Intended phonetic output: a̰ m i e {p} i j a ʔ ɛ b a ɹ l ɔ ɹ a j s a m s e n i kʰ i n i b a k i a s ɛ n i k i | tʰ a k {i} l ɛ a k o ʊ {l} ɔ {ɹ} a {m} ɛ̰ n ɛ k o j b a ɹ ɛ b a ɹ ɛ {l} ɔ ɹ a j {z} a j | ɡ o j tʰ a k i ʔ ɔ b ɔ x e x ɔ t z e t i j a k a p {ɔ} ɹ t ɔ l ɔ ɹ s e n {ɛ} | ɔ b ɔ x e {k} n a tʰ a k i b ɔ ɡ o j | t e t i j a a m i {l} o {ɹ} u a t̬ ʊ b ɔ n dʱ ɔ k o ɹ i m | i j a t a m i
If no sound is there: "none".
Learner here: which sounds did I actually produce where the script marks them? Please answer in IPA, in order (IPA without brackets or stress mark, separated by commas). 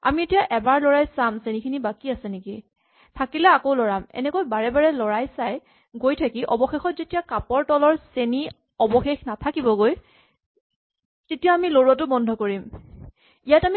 t, i, l, ɹ, m, l, s, ɔ, i, x, l, ɹ